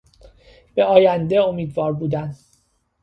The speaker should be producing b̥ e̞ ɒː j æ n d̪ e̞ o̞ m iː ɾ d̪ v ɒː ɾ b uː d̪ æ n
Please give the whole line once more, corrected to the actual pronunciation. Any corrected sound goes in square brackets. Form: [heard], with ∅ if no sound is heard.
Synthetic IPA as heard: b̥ e̞ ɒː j æ n d̪ e̞ o̞ m iː [∅] d̪ v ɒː ɾ b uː d̪ æ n